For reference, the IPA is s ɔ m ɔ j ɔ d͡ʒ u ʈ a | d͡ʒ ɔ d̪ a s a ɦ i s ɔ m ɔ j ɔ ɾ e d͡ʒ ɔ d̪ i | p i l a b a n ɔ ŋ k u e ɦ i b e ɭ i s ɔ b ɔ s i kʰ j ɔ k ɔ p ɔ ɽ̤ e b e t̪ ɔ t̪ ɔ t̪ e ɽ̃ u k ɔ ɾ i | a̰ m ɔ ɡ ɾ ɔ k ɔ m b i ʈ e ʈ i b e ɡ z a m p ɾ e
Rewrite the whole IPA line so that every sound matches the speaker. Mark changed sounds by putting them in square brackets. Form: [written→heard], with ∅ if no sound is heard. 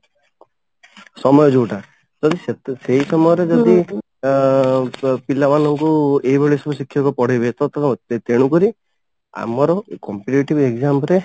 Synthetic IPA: s ɔ m ɔ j ɔ d͡ʒ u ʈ a | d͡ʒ ɔ d̪ [a→i] s [a→e] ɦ i s ɔ m ɔ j ɔ ɾ e d͡ʒ ɔ d̪ i | p i l a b a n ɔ ŋ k u e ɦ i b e ɭ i s ɔ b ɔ s i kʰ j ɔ k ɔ p ɔ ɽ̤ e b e t̪ ɔ t̪ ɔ t̪ e ɽ̃ u k ɔ ɾ i | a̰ m ɔ [ɡ→∅] ɾ ɔ k ɔ m [b→p] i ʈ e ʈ i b e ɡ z a m p ɾ e